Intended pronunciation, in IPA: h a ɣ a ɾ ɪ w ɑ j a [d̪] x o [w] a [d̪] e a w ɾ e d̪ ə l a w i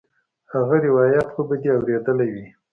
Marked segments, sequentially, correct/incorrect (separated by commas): incorrect, incorrect, correct